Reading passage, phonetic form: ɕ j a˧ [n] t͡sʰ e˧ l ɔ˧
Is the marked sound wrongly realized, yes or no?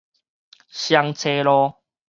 yes